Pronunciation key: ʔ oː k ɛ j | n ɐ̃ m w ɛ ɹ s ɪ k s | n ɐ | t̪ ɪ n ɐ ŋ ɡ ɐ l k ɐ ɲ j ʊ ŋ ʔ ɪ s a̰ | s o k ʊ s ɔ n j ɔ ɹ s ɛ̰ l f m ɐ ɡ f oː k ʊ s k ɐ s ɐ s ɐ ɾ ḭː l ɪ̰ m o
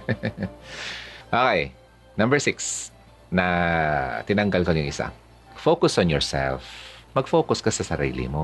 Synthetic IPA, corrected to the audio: ʔ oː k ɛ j | n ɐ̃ m b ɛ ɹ s ɪ k s | n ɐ | t̪ ɪ n ɐ ŋ ɡ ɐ l k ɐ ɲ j ʊ ŋ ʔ ɪ s a̰ | f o k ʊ s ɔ n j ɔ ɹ s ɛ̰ l f m ɐ ɡ f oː k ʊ s k ɐ s ɐ s ɐ ɾ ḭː l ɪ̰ m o